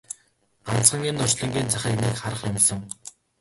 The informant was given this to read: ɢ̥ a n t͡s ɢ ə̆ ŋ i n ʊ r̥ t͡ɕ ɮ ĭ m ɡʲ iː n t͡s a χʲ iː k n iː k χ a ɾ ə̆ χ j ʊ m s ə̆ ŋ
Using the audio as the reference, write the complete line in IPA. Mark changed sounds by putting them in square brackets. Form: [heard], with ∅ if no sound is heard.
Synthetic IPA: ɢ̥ a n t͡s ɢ ə̆ ŋ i n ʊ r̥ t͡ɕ ɮ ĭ [ŋ] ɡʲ iː n t͡s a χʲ iː k n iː k χ a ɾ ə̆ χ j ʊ m s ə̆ ŋ